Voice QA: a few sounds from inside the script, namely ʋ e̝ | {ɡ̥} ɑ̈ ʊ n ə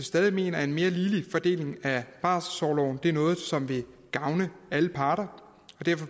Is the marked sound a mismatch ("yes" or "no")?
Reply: no